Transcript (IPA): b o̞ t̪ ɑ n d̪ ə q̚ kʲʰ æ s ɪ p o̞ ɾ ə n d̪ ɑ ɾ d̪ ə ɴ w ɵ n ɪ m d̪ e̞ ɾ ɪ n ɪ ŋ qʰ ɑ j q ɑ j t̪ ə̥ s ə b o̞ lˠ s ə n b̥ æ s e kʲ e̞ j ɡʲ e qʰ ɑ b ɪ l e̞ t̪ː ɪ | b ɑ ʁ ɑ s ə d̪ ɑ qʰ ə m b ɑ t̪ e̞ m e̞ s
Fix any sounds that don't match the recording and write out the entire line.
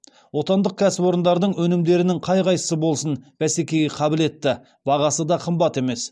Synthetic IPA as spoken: w o̞ t̪ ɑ n d̪ ə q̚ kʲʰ æ s ɪ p o̞ ɾ ə n d̪ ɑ ɾ d̪ ə ɴ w ɵ n ɪ m d̪ e̞ ɾ ɪ n ɪ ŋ qʰ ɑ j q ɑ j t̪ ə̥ s ə b o̞ lˠ s ə n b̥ æ s e kʲ e̞ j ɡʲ e qʰ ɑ b ɪ l e̞ t̪ː ɪ | b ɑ ʁ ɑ s ə d̪ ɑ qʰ ə m b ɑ t̪ e̞ m e̞ s